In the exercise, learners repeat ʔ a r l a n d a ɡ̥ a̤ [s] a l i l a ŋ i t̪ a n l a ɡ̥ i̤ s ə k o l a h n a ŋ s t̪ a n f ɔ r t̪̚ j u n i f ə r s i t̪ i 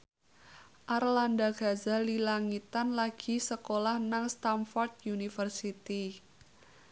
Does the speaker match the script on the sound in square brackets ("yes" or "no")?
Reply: no